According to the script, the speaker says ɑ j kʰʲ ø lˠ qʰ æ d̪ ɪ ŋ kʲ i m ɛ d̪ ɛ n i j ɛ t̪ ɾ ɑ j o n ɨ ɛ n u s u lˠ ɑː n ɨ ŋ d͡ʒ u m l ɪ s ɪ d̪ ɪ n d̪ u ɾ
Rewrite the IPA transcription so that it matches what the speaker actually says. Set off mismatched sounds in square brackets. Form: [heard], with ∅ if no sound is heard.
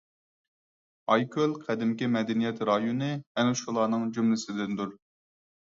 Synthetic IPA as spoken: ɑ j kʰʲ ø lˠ qʰ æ d̪ ɪ [m] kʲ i m ɛ d̪ ɛ n i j ɛ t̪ ɾ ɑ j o n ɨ ɛ n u [ʃ] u lˠ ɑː n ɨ ŋ d͡ʒ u m l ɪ s ɪ d̪ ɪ n d̪ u ɾ